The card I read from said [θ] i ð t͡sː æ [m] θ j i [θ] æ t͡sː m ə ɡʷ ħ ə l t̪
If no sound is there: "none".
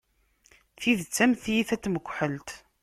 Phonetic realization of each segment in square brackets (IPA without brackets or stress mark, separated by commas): θ, m, θ